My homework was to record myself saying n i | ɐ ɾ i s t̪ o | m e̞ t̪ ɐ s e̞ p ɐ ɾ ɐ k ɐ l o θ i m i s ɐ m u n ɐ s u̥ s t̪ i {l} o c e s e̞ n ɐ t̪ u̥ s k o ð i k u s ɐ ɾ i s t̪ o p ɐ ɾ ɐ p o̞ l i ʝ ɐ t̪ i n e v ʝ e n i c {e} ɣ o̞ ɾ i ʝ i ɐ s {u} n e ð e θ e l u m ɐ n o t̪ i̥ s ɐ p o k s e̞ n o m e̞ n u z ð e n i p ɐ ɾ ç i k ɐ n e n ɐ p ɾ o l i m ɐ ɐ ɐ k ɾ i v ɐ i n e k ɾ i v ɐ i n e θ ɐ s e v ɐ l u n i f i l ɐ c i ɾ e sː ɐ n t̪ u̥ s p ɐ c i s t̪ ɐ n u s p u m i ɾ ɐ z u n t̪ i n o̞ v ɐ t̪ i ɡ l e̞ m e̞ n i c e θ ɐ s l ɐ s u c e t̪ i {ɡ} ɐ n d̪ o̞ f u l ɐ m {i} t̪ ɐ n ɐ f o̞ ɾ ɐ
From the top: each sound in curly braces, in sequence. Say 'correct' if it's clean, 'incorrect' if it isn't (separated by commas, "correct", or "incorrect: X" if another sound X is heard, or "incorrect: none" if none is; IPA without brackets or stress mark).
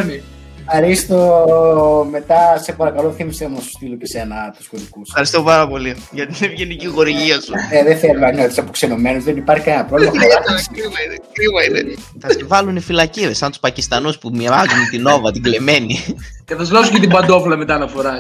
correct, incorrect: i, correct, incorrect: b, incorrect: e